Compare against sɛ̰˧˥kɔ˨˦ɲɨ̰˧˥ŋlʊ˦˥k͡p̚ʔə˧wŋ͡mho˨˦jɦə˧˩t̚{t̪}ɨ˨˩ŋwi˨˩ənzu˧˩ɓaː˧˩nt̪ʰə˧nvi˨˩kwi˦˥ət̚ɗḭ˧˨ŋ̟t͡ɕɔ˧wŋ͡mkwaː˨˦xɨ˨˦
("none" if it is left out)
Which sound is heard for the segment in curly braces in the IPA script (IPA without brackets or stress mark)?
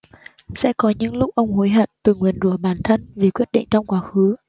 t̪